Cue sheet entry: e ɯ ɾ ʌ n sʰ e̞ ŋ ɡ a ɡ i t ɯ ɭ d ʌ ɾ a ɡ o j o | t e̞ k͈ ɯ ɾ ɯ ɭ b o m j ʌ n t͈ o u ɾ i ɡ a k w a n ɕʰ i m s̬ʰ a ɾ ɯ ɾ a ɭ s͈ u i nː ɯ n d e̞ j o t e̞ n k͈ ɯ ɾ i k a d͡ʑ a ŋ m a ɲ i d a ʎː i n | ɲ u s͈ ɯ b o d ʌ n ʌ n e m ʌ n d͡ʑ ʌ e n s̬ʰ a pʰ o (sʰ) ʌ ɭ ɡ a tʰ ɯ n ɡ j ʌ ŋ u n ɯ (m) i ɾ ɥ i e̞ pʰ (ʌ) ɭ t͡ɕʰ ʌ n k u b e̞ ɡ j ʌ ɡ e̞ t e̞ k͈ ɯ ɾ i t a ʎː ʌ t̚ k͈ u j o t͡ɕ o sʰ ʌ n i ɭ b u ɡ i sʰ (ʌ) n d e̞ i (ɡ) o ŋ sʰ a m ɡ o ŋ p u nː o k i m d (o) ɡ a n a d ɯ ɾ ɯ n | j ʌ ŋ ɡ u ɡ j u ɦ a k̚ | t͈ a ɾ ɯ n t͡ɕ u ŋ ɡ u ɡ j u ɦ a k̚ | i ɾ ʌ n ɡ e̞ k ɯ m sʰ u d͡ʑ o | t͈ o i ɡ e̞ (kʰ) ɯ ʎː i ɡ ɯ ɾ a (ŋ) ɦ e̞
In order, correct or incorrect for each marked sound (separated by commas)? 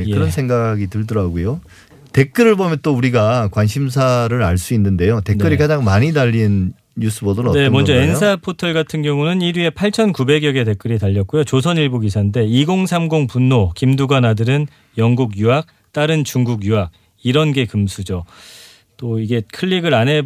incorrect, incorrect, incorrect, incorrect, correct, incorrect, correct, incorrect